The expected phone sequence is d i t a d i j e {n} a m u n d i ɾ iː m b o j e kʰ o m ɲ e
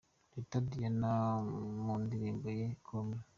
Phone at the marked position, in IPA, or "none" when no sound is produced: n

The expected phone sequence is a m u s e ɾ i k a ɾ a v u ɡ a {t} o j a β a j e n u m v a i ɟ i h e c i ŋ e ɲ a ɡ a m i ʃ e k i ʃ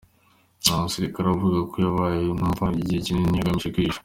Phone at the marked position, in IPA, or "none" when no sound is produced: k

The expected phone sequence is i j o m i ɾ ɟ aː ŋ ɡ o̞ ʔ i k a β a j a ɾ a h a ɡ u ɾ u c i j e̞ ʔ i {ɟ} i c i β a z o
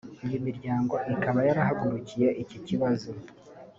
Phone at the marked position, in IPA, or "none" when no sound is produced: c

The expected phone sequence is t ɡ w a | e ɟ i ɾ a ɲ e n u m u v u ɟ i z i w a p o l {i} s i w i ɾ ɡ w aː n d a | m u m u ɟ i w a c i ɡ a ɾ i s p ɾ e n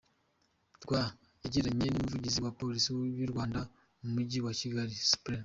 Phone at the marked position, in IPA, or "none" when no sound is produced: i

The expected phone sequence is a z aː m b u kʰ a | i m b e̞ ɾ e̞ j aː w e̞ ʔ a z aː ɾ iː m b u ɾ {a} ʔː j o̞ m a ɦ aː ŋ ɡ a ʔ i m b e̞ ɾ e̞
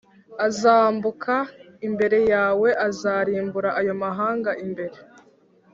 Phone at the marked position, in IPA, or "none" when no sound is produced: a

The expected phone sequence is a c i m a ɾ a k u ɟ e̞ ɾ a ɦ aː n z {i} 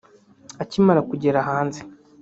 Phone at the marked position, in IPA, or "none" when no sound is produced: e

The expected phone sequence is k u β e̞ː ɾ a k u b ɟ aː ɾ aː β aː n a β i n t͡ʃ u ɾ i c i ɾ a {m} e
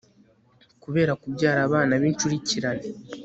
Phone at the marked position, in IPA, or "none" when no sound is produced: n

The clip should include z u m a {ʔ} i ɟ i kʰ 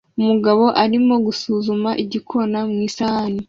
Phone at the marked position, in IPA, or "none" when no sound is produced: ʔ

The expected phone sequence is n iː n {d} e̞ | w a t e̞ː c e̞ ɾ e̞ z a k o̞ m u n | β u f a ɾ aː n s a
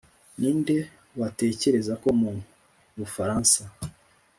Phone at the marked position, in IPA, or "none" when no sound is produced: d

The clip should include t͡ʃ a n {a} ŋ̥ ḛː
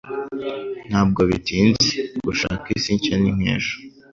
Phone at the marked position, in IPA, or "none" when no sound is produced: i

